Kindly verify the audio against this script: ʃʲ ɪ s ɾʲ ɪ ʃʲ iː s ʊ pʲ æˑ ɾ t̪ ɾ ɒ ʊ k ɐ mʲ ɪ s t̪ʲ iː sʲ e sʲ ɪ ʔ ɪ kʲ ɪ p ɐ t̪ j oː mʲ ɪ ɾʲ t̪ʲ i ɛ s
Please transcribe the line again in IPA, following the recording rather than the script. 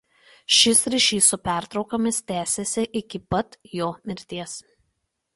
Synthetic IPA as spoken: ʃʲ ɪ s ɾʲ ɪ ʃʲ iː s ʊ pʲ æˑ ɾ t̪ ɾ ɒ ʊ k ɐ mʲ ɪ s t̪ʲ æː sʲ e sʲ ɪ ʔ ɪ kʲ ɪ p ɐ t̪ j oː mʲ ɪ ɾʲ t̪ʲ i ɛ s